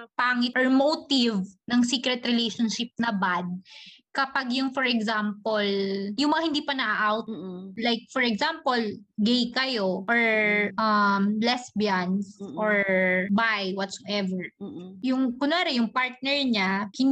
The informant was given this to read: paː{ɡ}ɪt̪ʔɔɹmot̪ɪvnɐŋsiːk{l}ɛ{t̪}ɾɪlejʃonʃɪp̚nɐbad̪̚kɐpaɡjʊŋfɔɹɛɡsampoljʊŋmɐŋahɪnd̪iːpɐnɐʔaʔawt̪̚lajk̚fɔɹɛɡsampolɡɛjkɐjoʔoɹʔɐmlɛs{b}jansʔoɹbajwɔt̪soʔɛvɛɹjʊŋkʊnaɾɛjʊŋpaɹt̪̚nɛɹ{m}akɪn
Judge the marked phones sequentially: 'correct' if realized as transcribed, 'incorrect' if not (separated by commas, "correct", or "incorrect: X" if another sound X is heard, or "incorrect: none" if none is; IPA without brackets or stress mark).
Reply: incorrect: ŋ, incorrect: ɾ, correct, correct, incorrect: ɲ